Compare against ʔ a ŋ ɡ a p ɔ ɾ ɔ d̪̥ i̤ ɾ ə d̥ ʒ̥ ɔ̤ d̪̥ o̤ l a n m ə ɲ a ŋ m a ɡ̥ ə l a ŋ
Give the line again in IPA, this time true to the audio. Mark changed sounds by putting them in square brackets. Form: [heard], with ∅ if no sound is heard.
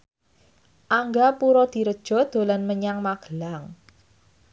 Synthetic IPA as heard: ʔ a ŋ ɡ a p [u] ɾ ɔ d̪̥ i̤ ɾ ə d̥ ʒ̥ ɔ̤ d̪̥ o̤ l a n m ə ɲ a ŋ m a ɡ̥ ə l a ŋ